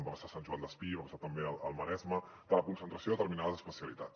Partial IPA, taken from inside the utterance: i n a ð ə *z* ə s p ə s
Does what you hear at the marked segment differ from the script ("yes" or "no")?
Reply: no